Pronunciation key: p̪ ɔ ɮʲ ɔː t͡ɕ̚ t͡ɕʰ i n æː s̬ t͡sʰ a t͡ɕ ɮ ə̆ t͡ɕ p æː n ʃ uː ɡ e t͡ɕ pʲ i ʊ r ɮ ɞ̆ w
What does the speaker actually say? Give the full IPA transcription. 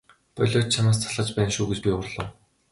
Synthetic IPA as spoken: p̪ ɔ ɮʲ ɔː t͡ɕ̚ t͡ɕʰ a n aː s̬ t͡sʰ a ɮ ə̆ t͡ɕ p æː n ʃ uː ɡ e t͡ɕ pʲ i ʊ r ɮ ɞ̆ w